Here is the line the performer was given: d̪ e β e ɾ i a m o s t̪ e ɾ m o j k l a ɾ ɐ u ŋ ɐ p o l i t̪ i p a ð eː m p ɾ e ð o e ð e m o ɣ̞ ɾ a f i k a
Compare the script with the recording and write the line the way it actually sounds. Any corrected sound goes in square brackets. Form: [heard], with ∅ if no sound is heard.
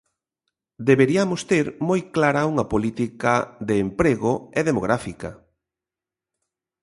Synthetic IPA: d̪ e β e ɾ i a m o s t̪ e ɾ m o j k l a ɾ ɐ u ŋ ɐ p o l i t̪ i [k] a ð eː m p ɾ e [ɣ] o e ð e m o ɣ̞ ɾ a f i k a